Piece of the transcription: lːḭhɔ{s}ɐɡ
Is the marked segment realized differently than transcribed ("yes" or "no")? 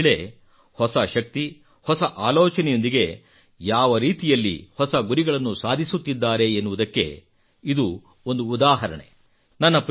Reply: no